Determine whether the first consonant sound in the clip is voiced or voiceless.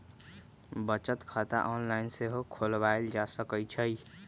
voiced